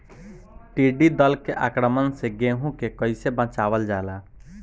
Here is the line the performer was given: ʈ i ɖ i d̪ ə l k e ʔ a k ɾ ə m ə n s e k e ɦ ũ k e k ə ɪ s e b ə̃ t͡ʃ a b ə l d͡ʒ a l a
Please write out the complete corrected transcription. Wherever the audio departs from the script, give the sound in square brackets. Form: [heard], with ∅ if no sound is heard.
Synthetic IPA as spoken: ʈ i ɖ i d̪ ə l k e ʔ a k ɾ ə m ə n s e [ɡ] e ɦ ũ k e k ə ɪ s e b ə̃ t͡ʃ a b ə l d͡ʒ a l a